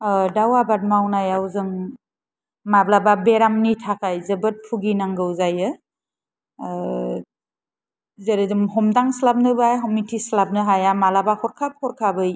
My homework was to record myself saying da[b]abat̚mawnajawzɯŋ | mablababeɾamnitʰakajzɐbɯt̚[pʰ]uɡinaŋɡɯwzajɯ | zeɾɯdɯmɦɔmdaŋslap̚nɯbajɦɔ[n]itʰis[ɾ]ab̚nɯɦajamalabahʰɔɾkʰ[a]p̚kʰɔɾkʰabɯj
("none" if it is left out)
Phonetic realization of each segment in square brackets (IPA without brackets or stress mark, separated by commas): w, pʰ, m, l, a